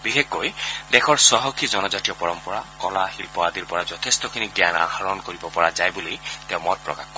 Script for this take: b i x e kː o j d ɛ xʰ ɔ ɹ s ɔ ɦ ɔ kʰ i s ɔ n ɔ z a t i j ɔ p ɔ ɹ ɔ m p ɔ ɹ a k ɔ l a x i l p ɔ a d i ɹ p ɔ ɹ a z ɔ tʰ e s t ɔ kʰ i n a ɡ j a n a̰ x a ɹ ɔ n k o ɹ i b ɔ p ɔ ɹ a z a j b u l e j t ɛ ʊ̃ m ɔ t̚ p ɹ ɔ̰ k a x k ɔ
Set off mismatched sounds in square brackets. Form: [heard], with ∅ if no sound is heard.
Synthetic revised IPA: b i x e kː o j d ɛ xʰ ɔ ɹ s ɔ ɦ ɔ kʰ i [z] ɔ n ɔ z a t i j ɔ p ɔ ɹ ɔ m p ɔ ɹ a k ɔ l a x i l p ɔ a d i ɹ p ɔ ɹ a z ɔ tʰ e s t ɔ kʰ i n [i] ɡ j a n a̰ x a ɹ ɔ n k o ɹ i b ɔ p ɔ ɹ a z a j b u l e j t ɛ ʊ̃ m ɔ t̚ p ɹ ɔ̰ k a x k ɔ